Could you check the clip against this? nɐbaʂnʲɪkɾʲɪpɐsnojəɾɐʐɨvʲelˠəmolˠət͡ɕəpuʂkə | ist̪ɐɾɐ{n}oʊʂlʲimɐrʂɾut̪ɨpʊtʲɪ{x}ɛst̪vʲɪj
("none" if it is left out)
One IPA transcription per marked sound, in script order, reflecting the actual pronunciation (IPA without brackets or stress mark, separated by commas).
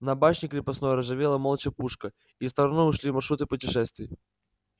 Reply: n, ʂ